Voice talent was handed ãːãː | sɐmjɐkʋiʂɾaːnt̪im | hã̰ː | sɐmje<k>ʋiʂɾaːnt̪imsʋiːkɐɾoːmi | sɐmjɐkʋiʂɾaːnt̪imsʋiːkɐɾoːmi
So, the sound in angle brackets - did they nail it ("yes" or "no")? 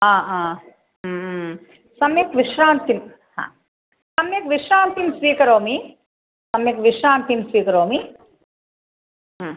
yes